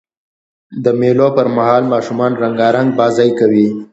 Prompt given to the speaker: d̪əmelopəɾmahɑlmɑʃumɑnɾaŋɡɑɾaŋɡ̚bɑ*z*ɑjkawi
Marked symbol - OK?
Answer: yes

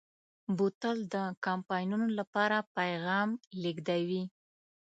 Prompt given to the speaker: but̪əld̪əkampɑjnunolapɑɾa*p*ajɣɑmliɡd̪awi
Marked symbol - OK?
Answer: yes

